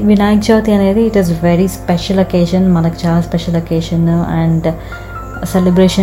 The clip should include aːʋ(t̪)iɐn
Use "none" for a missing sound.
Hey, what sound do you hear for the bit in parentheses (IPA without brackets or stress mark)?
t̪